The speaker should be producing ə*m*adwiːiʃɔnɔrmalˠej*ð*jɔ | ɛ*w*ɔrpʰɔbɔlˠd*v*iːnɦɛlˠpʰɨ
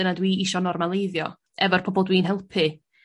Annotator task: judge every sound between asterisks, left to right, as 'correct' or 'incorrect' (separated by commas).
incorrect, correct, incorrect, incorrect